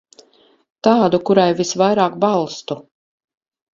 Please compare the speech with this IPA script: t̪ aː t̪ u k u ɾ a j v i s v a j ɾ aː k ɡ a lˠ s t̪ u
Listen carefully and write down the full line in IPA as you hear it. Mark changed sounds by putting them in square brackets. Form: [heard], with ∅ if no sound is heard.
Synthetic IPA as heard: t̪ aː [d̪] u k u ɾ a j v i s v a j ɾ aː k [b] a lˠ s t̪ u